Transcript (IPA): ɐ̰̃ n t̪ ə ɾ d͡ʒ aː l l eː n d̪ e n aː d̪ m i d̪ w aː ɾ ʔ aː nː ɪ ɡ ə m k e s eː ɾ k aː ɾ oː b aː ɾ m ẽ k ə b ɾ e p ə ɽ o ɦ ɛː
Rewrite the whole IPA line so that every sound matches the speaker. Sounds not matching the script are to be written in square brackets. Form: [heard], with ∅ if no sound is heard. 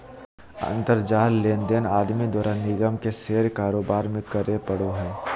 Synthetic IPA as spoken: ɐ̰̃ n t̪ ə ɾ d͡ʒ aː l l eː n d̪ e n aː d̪ m i d̪ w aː ɾ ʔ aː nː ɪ ɡ ə m k e s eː ɾ k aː ɾ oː b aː ɾ m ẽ k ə [∅] ɾ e p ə ɽ o ɦ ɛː